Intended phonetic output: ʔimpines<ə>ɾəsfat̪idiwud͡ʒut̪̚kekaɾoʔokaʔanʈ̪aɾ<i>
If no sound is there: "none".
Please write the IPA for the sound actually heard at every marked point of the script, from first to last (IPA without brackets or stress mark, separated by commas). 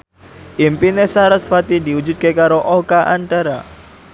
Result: a, a